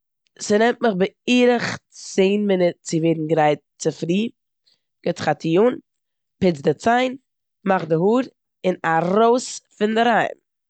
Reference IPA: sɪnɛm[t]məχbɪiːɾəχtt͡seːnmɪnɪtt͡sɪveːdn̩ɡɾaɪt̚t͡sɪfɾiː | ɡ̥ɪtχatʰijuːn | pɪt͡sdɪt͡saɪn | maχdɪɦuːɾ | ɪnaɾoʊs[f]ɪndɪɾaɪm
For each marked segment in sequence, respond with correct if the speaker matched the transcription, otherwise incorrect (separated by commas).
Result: correct, correct